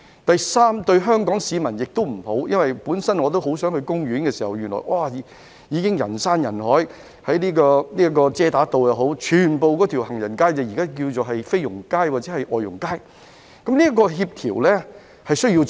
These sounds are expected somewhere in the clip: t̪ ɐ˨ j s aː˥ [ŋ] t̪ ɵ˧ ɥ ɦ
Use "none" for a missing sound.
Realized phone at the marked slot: m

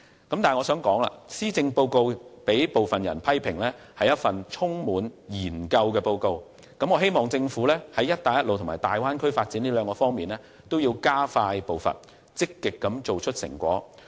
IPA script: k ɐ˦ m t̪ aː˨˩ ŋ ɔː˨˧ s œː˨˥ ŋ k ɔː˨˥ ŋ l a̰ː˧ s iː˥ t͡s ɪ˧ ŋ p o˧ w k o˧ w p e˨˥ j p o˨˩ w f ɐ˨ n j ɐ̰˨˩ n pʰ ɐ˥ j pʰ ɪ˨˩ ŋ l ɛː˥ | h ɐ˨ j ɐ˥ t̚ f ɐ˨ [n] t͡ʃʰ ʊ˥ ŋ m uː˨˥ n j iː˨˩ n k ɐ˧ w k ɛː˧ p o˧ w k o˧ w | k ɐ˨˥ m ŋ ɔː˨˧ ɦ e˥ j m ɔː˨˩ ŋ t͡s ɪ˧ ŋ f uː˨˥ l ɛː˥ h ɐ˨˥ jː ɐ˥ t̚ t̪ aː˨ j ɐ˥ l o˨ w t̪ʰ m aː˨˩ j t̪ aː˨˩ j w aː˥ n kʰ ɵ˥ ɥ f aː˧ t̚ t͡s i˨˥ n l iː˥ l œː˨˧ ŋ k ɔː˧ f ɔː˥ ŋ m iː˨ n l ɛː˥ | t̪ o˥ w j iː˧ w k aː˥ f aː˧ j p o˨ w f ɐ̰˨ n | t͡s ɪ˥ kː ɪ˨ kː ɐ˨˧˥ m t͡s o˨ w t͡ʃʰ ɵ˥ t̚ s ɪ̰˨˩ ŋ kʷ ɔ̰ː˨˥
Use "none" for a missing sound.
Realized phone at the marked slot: n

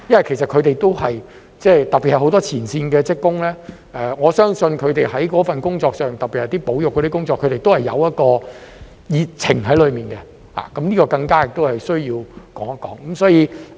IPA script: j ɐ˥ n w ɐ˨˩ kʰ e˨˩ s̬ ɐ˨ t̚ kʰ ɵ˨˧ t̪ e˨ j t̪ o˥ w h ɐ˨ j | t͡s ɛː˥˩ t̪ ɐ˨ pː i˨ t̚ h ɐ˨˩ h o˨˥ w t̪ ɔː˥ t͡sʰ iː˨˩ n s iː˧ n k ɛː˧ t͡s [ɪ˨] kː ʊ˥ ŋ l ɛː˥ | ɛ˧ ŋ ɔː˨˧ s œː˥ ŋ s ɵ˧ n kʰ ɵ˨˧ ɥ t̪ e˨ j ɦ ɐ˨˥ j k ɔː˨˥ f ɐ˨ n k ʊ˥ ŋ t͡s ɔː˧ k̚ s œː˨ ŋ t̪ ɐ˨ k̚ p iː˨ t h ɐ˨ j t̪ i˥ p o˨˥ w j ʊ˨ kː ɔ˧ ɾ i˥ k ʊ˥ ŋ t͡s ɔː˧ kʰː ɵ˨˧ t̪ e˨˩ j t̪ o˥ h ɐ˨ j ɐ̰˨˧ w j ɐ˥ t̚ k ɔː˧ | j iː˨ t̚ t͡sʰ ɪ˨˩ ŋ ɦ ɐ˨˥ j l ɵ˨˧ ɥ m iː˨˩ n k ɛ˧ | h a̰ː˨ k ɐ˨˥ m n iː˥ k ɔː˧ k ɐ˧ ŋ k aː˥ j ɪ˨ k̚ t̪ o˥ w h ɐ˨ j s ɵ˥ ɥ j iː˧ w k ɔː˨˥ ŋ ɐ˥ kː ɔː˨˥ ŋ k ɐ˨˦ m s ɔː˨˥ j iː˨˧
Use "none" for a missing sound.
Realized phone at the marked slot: ɪ˥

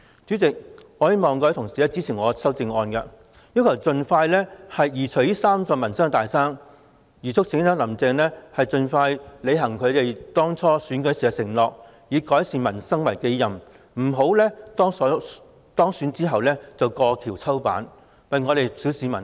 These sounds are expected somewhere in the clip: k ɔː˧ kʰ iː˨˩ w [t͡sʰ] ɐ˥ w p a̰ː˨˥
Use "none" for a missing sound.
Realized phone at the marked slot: t͡sʰ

